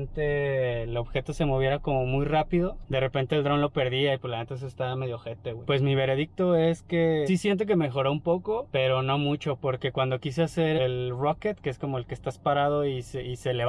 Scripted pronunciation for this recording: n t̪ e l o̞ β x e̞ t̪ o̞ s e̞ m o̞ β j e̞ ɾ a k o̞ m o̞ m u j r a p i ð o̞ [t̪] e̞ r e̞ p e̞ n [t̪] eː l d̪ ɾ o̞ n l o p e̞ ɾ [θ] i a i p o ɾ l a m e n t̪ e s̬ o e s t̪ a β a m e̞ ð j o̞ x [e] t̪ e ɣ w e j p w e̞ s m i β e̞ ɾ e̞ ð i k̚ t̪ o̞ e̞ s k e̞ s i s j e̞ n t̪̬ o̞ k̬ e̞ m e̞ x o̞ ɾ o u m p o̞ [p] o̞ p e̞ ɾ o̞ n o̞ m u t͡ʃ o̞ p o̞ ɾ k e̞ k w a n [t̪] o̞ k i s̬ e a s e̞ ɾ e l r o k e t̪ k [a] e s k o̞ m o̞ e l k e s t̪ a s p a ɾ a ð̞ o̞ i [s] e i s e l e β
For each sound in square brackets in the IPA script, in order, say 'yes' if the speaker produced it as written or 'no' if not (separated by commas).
no, yes, no, yes, no, no, no, yes